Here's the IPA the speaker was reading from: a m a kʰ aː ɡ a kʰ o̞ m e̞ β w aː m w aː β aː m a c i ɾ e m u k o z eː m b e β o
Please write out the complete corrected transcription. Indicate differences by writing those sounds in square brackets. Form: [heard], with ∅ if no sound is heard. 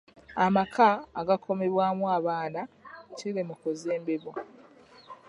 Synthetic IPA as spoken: a m a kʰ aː ɡ a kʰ o̞ m e̞ β w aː m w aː β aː [n] a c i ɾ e m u k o z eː m b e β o